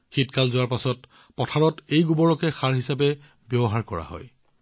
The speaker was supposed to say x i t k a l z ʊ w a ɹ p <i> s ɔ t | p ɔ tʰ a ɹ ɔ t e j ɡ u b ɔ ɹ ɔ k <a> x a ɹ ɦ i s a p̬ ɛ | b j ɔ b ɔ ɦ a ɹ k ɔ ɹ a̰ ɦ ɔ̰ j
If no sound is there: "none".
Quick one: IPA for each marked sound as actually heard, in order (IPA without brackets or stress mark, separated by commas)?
a, ɛ